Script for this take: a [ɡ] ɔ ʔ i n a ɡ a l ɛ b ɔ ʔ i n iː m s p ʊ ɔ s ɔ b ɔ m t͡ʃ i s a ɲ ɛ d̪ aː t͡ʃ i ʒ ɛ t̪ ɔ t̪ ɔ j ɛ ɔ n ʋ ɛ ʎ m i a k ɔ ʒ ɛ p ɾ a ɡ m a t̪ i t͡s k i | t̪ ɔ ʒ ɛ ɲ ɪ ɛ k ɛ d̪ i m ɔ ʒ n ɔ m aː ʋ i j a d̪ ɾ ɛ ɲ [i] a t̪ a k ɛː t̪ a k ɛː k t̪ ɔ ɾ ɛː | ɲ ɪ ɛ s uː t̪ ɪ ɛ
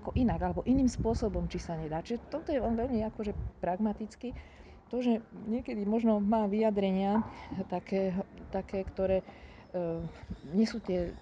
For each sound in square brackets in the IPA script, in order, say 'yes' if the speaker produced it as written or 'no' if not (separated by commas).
no, no